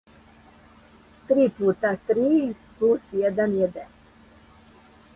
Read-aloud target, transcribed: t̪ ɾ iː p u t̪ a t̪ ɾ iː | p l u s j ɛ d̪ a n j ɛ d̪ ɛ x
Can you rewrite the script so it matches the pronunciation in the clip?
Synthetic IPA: t̪ ɾ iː p u t̪ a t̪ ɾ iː | p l u s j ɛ d̪ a n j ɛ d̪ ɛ s